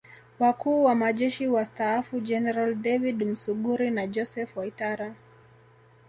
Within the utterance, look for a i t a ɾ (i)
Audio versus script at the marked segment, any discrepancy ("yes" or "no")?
yes